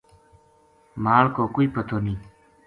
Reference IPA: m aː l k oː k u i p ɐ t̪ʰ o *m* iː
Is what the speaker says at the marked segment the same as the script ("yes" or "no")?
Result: no